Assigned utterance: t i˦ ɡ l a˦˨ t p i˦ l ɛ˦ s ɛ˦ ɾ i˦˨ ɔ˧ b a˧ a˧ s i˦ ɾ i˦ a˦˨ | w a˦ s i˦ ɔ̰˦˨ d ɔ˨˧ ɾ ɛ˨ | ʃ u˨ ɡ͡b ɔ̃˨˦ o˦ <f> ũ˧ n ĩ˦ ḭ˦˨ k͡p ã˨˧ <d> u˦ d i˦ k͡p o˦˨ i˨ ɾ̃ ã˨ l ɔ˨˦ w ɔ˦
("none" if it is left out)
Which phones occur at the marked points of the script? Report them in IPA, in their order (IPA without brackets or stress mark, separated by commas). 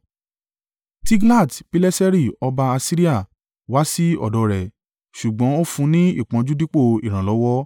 f, d͡ʒ